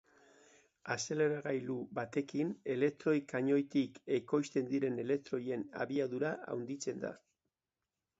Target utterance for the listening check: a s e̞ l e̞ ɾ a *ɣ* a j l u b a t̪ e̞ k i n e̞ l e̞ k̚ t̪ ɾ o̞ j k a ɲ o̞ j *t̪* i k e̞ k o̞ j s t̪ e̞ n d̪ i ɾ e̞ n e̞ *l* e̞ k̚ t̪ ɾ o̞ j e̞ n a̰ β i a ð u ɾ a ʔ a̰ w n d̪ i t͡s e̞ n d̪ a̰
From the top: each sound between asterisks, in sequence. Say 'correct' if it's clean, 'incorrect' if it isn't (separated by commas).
correct, correct, correct